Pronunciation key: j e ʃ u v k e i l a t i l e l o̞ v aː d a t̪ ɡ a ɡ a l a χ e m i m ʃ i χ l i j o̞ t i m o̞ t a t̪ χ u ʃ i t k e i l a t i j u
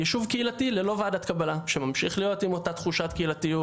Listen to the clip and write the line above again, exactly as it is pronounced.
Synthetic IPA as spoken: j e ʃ u v k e i l a t i l e l o̞ v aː d a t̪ k a b a l a ʃ e m a m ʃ i χ l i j o̞ t i m o̞ t a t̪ χ u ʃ a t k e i l a t i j u